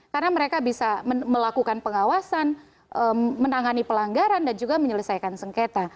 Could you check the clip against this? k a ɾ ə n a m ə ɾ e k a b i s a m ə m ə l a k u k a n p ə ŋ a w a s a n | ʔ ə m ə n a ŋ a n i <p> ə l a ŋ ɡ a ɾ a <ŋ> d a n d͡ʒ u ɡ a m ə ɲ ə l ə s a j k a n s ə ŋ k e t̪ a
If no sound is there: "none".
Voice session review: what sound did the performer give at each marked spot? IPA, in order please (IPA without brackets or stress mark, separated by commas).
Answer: p, n